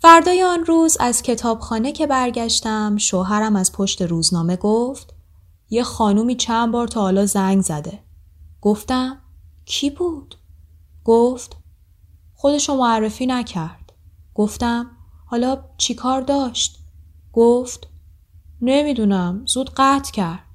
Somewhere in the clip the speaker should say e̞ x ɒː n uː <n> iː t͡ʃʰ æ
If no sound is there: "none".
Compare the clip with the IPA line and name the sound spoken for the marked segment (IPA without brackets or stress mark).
m